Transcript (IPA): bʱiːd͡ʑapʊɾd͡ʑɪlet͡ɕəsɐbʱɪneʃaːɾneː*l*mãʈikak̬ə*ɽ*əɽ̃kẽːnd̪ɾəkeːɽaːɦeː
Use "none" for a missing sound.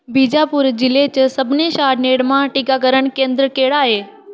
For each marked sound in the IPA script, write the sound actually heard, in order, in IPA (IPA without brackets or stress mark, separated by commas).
ɽ, ɾ